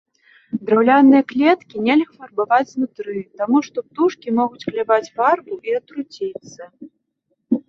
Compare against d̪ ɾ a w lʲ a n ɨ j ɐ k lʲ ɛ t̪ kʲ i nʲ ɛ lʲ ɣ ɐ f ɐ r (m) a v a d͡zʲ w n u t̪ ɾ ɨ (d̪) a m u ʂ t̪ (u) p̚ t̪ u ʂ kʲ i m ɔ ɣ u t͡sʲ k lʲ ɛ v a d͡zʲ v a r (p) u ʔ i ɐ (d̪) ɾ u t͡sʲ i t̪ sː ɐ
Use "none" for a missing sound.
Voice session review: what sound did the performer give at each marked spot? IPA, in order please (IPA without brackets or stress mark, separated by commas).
b, t̪, ɔ, b, t̪